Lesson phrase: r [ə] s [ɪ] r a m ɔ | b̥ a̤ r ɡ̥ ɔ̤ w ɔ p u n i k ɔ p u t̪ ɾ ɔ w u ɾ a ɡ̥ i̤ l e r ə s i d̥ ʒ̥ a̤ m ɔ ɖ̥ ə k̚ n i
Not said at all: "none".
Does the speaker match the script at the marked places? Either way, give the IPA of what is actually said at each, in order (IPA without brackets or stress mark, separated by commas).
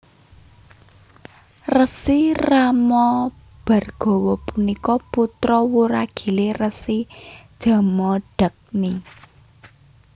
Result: ə, i